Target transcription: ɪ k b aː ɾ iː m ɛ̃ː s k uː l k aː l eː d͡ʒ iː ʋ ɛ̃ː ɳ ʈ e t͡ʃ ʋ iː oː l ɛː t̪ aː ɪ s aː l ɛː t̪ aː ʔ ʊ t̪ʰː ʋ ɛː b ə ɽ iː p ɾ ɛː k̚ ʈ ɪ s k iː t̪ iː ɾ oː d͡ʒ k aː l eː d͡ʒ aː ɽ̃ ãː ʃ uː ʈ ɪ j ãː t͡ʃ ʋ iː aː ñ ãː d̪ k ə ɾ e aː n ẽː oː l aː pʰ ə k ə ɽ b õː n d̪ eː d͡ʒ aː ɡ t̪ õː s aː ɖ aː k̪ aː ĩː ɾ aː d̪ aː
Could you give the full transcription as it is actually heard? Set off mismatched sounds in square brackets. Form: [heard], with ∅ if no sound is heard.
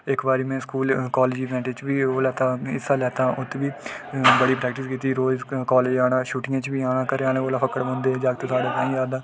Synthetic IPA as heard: ɪ k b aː ɾ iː m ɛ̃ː s k uː l k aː l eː d͡ʒ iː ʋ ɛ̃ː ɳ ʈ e t͡ʃ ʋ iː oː l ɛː t̪ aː ɪ s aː l ɛː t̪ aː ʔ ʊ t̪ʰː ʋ [iː] b ə ɽ iː p ɾ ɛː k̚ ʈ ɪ s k iː t̪ iː ɾ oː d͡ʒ k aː l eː d͡ʒ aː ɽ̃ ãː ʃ uː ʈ ɪ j ãː t͡ʃ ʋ iː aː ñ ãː [∅] k ə ɾ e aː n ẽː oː l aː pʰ ə k ə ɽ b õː n d̪ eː d͡ʒ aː ɡ t̪ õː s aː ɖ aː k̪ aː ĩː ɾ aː d̪ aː